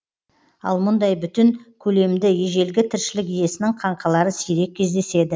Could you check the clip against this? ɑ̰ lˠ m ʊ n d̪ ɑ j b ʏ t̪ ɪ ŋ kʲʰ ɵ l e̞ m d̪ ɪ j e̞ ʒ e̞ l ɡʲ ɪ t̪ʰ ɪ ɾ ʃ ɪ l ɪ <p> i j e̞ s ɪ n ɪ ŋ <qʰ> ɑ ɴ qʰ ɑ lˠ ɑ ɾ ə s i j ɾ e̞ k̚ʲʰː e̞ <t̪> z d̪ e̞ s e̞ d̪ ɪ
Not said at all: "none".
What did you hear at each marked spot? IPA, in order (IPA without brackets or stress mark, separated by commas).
k, qʰ, none